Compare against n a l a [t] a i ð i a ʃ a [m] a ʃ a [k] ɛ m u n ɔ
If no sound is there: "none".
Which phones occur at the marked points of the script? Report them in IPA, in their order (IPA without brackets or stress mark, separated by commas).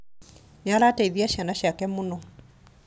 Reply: t, n, k